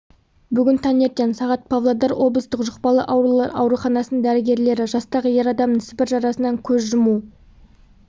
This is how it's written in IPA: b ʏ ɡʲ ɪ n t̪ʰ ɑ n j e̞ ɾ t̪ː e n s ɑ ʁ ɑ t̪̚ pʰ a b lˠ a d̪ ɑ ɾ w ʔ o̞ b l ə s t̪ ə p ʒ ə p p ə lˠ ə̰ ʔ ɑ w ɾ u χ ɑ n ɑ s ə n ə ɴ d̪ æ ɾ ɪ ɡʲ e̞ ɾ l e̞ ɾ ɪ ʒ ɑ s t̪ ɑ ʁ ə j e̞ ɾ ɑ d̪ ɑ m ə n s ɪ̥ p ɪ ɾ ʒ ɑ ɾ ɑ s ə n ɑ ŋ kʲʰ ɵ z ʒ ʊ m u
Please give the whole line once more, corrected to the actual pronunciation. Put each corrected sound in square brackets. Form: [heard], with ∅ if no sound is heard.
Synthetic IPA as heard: b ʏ ɡʲ ɪ n t̪ʰ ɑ n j e̞ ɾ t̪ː e n s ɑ ʁ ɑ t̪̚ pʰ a [v] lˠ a d̪ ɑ ɾ w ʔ o̞ b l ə s t̪ ə [q] ʒ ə [q] p [ɑ] lˠ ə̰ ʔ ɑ w ɾ u χ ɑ n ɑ s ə n ə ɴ d̪ æ ɾ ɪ ɡʲ e̞ ɾ l e̞ ɾ ɪ ʒ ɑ s t̪ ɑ ʁ ə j e̞ ɾ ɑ d̪ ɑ m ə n s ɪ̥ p ɪ ɾ ʒ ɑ ɾ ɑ s ə n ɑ ŋ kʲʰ ɵ z ʒ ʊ m u